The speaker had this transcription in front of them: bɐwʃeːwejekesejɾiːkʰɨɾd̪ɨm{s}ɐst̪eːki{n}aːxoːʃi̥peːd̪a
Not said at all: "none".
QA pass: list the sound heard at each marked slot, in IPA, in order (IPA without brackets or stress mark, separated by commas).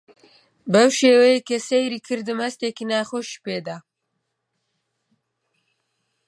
h, n